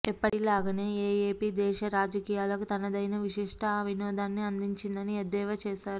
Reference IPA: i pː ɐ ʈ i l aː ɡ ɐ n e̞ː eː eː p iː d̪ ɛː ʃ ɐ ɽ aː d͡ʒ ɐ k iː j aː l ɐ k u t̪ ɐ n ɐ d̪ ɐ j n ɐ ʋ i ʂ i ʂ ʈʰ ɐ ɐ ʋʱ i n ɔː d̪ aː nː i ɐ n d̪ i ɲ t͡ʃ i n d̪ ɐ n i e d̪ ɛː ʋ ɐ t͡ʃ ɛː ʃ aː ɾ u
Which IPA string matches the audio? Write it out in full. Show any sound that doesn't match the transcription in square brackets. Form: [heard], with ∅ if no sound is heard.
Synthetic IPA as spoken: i pː ɐ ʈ i l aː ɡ ɐ n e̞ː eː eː p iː d̪ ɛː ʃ ɐ [ɾ] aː d͡ʒ ɐ k iː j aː l ɐ k u t̪ ɐ n ɐ d̪ ɐ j n ɐ ʋ i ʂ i ʂ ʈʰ ɐ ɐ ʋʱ i n ɔː d̪ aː nː i ɐ n d̪ i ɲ t͡ʃ i n d̪ ɐ n i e d̪ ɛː ʋ ɐ t͡ʃ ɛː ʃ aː ɾ u